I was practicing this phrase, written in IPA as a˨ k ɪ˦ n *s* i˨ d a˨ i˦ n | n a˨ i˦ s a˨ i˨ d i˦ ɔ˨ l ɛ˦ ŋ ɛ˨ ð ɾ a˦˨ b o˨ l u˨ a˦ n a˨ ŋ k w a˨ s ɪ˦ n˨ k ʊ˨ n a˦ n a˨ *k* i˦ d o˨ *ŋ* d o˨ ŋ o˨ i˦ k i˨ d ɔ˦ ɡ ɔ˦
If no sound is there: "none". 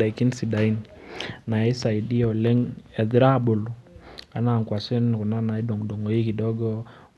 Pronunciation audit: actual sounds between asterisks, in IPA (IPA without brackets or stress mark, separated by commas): s, none, ŋ